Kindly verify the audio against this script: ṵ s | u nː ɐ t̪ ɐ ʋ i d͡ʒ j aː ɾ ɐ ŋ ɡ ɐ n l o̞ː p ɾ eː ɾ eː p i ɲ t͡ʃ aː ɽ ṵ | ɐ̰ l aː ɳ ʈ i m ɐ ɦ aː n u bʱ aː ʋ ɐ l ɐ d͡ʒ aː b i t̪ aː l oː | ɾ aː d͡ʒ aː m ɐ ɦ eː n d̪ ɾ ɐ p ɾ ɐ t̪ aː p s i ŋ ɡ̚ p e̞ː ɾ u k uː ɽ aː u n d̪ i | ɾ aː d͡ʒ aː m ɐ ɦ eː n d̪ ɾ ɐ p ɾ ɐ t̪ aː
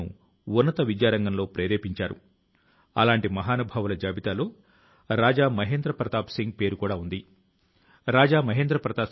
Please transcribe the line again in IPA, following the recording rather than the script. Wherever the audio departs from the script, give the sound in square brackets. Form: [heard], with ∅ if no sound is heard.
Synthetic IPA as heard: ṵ [∅] | u nː ɐ t̪ ɐ ʋ i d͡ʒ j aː ɾ ɐ ŋ ɡ ɐ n l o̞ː p ɾ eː ɾ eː p i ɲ t͡ʃ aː [ɾ] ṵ | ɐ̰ l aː ɳ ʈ i m ɐ ɦ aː n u bʱ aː ʋ ɐ l ɐ d͡ʒ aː b i t̪ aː l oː | ɾ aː d͡ʒ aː m ɐ ɦ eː n d̪ ɾ ɐ p ɾ ɐ t̪ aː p s i ŋ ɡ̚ p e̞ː ɾ u k uː ɽ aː u n d̪ i | ɾ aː d͡ʒ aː m ɐ ɦ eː n d̪ ɾ ɐ p ɾ ɐ t̪ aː